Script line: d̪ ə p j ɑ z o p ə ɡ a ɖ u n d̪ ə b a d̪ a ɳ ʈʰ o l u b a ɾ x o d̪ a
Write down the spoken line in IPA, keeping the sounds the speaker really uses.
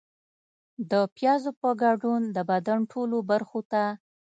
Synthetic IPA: d̪ ə p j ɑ z o p ə ɡ a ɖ u n d̪ ə b a d̪ a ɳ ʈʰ o l o b a ɾ x o t̪ a